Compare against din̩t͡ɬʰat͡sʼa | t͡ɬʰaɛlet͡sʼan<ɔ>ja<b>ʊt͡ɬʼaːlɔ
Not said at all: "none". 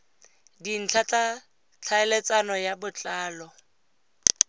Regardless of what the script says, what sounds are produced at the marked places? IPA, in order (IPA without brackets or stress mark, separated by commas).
ɔ, b